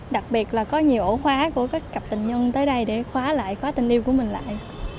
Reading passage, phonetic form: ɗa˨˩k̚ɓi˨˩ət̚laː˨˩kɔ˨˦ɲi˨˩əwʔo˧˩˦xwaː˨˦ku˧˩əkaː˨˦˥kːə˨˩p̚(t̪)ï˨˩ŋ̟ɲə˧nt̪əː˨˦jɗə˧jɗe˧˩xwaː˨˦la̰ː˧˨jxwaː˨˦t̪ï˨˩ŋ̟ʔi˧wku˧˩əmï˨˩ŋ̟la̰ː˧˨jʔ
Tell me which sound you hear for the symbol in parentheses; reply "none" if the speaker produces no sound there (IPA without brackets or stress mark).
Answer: t̪